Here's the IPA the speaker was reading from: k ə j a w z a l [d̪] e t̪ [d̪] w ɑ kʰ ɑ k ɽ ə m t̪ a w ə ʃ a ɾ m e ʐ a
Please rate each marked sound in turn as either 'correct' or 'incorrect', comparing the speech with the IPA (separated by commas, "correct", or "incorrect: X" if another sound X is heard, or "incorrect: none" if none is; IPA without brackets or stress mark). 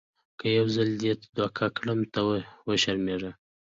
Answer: correct, correct